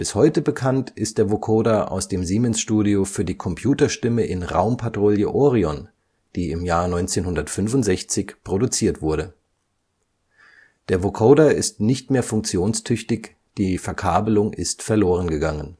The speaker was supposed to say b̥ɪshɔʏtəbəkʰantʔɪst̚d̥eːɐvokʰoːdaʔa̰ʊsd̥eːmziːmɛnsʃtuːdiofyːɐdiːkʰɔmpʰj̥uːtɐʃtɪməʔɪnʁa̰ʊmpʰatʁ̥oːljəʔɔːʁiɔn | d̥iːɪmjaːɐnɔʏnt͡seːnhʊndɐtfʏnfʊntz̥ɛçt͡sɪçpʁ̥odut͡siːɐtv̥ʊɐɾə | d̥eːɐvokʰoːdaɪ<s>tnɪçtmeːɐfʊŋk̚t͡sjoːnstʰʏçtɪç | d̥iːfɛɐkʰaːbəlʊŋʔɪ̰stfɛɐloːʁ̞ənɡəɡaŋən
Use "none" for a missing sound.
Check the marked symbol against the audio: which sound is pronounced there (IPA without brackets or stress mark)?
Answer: s